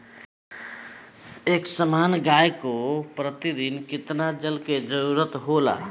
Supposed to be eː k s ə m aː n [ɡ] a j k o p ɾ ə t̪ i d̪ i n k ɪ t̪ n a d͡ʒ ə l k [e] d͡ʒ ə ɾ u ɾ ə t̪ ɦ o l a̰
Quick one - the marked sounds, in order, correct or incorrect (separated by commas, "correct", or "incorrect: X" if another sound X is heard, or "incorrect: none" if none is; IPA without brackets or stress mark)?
correct, correct